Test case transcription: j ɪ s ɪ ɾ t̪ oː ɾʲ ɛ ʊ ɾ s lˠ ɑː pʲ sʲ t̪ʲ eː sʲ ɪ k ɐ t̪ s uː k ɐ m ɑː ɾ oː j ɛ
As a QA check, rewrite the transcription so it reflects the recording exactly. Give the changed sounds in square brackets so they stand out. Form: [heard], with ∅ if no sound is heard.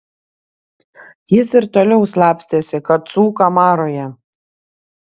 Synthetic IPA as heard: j ɪ s ɪ ɾ t̪ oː [lʲ] ɛ ʊ [∅] s lˠ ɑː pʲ sʲ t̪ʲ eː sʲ ɪ k ɐ t̪ s uː k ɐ m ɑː ɾ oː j ɛ